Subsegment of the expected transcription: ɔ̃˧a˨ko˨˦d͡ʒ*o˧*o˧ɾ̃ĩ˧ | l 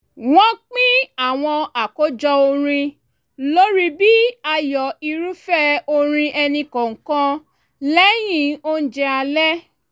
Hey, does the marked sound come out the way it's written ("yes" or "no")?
no